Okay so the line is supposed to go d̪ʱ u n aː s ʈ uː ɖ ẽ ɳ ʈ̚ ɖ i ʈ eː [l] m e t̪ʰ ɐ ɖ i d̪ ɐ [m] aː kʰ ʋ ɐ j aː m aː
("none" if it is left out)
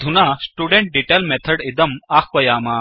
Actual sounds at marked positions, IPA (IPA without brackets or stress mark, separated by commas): l, m